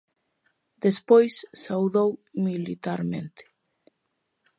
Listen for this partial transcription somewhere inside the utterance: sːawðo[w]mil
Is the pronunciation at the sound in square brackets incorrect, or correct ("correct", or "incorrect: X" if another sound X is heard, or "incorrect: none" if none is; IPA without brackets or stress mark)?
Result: correct